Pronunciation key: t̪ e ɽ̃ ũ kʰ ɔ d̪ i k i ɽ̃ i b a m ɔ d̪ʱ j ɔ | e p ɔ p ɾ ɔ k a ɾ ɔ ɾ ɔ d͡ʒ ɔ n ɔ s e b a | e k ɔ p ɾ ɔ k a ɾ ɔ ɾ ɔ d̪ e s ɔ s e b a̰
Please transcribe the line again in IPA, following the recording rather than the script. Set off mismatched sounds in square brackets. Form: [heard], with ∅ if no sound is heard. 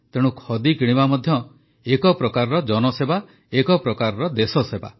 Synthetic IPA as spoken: t̪ e ɽ̃ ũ kʰ ɔ d̪ i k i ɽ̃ i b a m ɔ d̪ʱ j ɔ | e [k] ɔ p ɾ ɔ k a ɾ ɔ ɾ ɔ d͡ʒ ɔ n ɔ s e b a | e k ɔ p ɾ ɔ k a ɾ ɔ ɾ ɔ d̪ e s ɔ s e b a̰